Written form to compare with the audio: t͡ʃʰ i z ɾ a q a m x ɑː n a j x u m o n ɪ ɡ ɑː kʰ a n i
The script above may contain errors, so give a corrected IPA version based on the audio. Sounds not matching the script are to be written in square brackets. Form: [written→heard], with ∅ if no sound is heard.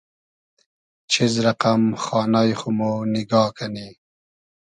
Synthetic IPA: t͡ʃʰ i z ɾ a q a m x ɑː n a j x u m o n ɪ ɡ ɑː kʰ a n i